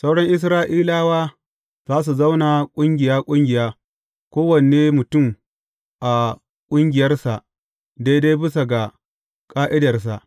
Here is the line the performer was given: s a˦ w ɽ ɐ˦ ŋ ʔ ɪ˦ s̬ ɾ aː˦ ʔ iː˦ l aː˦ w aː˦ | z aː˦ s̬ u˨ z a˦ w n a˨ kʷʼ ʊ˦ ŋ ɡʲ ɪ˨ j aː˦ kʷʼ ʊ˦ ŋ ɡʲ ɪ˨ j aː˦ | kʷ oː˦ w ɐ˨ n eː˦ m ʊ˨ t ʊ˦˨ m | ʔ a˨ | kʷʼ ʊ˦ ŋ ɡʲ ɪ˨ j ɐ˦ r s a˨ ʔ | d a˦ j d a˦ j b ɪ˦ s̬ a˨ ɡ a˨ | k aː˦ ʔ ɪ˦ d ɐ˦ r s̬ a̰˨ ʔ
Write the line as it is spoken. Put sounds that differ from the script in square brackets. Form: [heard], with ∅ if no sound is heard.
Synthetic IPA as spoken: s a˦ w ɽ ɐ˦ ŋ ʔ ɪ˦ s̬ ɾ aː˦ ʔ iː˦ l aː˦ w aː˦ | z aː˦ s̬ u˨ z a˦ w n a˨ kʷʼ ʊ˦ ŋ ɡʲ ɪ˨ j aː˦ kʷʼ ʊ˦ ŋ ɡʲ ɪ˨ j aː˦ | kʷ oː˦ w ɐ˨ n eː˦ m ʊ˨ t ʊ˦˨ m | ʔ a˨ | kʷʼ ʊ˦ ŋ ɡʲ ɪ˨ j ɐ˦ r s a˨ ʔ | d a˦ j d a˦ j b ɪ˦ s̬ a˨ ɡ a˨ | [kʼ] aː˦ ʔ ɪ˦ d [ɐ˨] r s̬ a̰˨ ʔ